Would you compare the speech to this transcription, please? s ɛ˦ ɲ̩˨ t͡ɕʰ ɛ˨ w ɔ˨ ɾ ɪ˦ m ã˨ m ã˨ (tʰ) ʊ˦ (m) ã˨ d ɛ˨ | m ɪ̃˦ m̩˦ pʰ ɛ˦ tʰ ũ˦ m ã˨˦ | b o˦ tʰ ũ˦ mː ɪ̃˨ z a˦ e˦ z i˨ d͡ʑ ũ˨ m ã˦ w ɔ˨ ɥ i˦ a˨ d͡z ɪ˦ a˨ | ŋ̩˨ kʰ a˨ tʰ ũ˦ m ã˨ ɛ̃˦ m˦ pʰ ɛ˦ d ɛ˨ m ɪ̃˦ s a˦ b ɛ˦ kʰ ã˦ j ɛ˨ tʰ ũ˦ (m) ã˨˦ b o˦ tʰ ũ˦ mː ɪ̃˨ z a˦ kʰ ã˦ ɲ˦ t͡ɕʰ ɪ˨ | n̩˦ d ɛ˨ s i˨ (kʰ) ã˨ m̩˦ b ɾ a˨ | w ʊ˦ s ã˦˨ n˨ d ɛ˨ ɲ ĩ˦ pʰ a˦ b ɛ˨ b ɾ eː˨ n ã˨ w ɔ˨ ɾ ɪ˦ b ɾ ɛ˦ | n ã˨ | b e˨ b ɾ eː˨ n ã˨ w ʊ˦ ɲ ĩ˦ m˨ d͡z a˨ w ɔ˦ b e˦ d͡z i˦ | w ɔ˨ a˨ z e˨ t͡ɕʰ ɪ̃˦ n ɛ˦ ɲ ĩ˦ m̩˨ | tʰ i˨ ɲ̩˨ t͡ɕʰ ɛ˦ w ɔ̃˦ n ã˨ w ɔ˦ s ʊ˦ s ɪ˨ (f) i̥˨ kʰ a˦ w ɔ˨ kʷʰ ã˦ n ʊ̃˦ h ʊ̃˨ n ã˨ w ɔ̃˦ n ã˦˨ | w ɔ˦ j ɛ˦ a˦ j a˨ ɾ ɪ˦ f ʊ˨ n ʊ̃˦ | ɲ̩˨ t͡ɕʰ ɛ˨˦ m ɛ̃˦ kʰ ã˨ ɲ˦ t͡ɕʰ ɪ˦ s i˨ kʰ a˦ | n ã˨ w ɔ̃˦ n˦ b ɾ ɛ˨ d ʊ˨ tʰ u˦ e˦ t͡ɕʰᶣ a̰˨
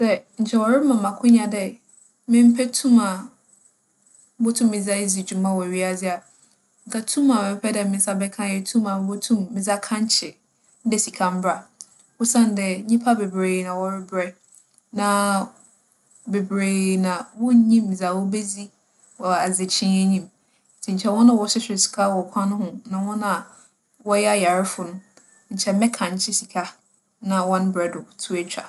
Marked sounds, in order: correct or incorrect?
incorrect, incorrect, correct, correct, incorrect

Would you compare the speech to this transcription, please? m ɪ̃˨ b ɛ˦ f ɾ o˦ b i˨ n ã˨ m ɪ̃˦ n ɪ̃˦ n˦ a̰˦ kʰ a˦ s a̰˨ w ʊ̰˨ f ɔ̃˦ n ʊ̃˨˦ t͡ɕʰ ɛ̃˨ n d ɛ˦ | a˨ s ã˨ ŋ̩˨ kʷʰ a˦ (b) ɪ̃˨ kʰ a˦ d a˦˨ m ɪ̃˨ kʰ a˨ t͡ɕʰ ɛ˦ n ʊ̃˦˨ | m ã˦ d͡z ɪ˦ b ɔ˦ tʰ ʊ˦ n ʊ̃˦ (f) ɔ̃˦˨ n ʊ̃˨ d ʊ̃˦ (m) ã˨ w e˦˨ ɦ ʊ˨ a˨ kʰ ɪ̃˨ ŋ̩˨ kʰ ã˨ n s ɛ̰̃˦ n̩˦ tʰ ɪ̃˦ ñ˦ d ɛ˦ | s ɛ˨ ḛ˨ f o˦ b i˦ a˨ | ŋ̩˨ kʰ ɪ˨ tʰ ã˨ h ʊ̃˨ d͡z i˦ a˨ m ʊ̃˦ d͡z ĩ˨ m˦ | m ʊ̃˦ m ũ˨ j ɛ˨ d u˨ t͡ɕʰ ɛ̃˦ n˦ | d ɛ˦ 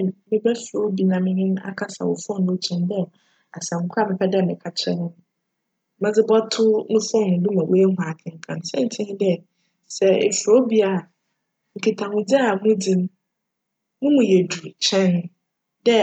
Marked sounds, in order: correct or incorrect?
incorrect, correct, correct

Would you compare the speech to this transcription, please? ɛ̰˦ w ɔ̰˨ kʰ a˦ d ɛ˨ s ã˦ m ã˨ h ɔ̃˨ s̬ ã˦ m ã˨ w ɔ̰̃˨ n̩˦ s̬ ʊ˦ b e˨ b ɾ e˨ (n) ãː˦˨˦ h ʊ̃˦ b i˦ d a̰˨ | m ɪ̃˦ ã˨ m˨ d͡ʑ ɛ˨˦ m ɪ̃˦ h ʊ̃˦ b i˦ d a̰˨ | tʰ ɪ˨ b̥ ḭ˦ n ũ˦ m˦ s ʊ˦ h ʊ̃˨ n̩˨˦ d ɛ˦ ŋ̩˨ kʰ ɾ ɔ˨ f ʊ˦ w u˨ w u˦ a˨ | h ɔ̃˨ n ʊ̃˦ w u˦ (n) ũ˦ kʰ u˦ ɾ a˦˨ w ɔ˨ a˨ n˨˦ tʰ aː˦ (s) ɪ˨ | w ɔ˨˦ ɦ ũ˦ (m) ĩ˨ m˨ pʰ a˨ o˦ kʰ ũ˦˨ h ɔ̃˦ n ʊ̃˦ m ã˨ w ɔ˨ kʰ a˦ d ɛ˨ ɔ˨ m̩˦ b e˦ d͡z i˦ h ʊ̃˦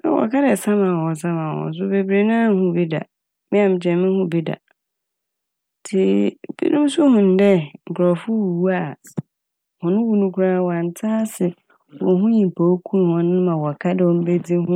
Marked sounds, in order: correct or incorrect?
correct, correct, correct, incorrect

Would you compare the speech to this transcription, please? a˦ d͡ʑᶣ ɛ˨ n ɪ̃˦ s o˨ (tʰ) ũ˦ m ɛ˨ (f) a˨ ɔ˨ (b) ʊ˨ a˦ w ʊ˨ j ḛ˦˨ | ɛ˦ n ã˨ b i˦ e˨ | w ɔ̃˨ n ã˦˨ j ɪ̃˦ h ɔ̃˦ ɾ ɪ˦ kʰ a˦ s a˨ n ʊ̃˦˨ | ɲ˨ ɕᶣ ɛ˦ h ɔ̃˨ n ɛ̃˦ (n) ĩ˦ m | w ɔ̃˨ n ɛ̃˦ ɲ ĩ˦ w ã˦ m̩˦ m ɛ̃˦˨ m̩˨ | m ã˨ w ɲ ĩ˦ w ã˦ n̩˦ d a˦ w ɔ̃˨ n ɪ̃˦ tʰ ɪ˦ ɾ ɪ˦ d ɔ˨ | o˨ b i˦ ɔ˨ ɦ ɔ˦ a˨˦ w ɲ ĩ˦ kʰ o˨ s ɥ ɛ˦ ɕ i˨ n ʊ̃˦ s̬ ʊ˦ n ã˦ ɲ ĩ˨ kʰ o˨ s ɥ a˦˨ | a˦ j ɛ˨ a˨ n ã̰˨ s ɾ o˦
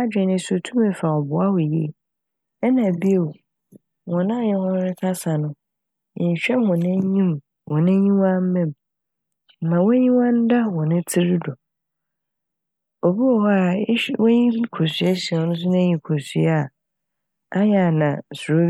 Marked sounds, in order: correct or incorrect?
correct, correct, correct, incorrect

